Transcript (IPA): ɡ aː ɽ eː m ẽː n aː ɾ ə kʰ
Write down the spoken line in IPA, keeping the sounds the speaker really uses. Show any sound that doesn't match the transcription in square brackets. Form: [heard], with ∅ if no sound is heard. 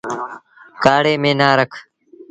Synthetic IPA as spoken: [k] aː ɽ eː m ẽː n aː ɾ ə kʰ